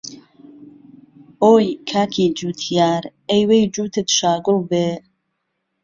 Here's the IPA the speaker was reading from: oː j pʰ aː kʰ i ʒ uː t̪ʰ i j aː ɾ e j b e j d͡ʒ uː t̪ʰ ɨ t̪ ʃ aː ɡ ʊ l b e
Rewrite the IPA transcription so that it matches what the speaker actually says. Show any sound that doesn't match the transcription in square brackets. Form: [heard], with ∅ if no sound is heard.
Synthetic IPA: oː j [kʰ] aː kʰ i [d͡ʒ] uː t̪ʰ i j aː ɾ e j [w] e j d͡ʒ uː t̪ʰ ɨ t̪ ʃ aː ɡ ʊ l b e